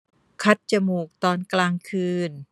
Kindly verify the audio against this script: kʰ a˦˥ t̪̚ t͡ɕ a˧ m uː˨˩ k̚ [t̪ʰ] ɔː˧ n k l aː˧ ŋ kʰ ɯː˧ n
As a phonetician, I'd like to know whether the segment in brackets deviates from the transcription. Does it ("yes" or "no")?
yes